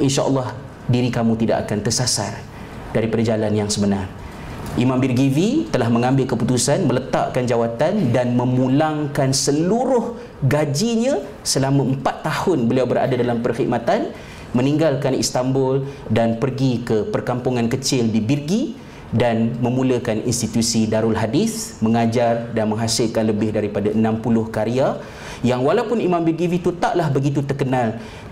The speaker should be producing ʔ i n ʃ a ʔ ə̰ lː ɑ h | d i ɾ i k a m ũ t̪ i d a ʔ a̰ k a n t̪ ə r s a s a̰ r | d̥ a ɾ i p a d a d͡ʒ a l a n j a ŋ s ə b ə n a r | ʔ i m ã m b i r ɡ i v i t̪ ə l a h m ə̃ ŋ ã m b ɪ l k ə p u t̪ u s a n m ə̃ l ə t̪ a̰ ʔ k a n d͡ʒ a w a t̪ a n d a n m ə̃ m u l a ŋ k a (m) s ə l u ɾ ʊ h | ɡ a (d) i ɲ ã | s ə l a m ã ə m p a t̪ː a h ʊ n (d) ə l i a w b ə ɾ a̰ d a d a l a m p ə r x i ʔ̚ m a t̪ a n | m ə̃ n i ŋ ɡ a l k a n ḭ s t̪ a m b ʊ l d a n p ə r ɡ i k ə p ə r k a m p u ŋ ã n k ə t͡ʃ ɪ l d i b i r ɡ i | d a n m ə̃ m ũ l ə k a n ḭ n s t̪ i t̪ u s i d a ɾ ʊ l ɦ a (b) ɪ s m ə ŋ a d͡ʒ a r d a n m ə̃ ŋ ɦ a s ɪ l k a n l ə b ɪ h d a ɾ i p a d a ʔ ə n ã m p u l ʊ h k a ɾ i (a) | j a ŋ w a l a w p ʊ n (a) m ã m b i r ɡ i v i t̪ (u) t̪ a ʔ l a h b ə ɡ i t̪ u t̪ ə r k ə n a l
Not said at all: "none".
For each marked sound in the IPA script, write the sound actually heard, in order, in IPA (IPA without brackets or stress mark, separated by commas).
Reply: n, d͡ʒ, b, d, a, i, u